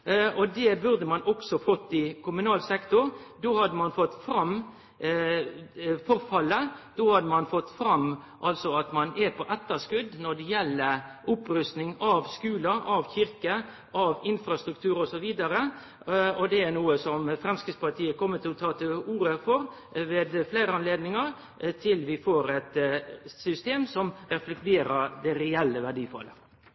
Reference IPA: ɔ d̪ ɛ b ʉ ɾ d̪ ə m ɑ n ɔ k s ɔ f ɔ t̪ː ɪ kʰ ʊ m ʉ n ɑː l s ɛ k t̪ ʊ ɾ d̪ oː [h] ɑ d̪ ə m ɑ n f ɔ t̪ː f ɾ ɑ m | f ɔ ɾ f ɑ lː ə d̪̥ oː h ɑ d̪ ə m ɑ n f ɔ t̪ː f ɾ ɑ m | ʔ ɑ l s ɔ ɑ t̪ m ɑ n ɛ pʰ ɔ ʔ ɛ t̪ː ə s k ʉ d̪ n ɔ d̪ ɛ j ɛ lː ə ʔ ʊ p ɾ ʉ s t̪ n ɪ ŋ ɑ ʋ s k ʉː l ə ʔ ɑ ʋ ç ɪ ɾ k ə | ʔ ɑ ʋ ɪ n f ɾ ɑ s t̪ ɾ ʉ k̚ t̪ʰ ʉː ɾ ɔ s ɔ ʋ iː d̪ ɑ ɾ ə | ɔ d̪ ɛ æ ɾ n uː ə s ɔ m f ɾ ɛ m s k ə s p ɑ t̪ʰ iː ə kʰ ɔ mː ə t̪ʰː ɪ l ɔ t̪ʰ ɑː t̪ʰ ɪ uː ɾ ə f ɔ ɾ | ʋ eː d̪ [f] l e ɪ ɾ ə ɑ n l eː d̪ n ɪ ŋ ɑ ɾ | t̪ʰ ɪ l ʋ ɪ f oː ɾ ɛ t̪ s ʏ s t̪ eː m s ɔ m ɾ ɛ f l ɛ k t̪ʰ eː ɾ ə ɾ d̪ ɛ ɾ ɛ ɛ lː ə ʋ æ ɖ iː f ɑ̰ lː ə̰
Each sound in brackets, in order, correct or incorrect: correct, correct

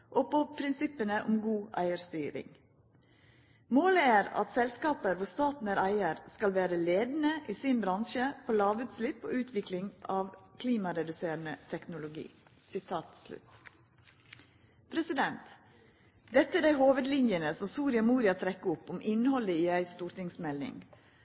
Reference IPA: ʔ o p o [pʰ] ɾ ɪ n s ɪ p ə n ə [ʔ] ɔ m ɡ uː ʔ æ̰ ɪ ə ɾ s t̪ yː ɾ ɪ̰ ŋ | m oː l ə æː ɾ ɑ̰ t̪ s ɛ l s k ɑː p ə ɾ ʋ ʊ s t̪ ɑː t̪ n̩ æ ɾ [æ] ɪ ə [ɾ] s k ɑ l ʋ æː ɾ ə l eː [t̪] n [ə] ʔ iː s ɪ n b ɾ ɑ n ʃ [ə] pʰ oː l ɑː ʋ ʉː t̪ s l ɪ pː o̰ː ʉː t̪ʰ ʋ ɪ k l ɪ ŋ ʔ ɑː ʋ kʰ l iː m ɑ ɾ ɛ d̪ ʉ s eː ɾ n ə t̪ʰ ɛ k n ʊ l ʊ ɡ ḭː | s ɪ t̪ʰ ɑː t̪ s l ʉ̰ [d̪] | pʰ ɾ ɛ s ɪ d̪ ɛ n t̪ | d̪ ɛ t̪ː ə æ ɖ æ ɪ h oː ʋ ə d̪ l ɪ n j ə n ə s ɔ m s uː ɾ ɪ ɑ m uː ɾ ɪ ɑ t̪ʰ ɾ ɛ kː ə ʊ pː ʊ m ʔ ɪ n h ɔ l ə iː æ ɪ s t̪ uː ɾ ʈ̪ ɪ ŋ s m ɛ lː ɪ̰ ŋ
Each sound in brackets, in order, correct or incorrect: correct, correct, correct, correct, incorrect: d̪, correct, correct, incorrect: t̪

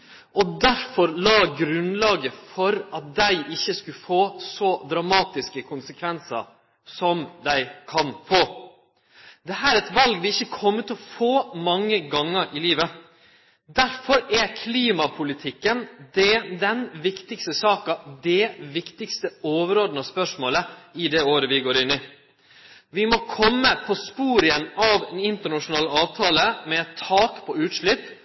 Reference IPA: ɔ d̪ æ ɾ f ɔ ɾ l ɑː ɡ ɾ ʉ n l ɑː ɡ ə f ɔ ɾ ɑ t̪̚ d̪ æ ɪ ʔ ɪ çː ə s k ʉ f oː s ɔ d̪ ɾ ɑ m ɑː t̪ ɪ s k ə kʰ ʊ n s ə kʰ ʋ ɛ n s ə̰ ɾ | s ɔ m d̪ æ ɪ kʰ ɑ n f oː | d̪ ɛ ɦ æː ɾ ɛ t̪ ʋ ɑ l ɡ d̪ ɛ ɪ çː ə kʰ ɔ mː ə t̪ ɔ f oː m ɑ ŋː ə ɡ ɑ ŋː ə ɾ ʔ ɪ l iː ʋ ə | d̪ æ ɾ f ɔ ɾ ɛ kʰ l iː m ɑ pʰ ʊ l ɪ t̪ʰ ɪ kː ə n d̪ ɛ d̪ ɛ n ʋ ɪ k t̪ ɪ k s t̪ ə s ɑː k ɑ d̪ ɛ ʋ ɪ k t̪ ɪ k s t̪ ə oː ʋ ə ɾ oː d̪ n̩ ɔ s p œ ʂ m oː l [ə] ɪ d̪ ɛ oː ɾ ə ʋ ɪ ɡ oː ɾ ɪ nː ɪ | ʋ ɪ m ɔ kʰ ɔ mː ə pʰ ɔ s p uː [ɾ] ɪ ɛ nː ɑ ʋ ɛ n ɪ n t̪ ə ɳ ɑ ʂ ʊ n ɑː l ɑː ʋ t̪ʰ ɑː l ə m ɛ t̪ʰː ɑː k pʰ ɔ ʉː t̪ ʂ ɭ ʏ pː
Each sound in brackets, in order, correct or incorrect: correct, correct

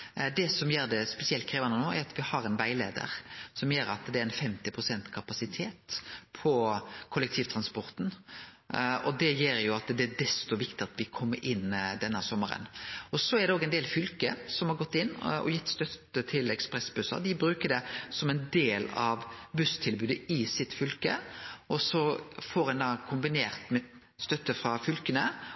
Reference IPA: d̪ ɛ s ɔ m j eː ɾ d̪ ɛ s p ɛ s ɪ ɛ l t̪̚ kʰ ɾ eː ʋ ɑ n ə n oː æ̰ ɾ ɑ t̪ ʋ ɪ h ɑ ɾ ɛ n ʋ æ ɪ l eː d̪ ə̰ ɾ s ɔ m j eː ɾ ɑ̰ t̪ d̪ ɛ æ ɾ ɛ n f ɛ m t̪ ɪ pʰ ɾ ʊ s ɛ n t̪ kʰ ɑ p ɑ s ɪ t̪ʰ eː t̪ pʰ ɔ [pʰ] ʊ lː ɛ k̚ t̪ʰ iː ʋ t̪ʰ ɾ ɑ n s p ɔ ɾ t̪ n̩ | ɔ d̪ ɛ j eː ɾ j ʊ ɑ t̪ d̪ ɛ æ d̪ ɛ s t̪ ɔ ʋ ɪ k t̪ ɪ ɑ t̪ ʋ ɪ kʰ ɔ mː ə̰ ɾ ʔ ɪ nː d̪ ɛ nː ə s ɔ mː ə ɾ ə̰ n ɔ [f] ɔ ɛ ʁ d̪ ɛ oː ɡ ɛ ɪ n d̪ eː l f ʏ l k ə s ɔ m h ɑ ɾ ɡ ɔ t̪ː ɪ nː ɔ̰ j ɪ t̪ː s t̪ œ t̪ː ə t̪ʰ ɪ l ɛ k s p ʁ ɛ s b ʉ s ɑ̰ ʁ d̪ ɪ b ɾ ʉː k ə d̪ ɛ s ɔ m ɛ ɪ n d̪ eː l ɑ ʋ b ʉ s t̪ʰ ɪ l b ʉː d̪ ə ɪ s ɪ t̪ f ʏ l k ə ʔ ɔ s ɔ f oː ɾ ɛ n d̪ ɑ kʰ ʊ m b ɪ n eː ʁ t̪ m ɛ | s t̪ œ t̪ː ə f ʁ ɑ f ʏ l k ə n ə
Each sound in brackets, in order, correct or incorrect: incorrect: kʰ, incorrect: s

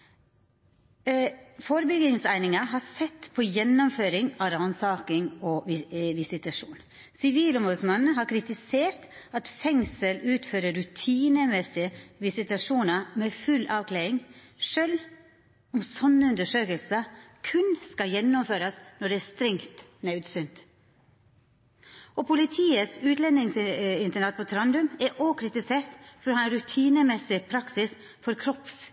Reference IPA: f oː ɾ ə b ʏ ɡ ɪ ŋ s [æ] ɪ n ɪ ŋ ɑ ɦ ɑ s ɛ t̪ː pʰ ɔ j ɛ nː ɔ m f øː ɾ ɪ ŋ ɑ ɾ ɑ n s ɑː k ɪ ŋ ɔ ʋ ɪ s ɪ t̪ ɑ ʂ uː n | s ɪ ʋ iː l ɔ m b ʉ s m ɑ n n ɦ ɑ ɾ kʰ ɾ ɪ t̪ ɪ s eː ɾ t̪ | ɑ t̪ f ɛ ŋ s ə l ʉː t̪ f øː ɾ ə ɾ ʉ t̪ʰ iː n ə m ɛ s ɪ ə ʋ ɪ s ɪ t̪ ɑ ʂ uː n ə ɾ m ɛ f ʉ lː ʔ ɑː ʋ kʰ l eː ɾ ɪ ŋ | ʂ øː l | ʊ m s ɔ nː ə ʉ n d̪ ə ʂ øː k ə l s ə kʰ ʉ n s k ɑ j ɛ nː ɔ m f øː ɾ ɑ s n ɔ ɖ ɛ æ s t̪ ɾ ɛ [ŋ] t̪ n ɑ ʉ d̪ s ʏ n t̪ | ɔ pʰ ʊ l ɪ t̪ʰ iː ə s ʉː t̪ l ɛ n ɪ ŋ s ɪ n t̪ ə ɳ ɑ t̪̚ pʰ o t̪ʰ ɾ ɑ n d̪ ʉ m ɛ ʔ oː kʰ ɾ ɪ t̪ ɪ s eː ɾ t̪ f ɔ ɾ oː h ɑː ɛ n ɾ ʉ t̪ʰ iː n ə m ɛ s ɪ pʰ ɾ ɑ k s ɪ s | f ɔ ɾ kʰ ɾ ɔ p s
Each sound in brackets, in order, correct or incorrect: correct, correct

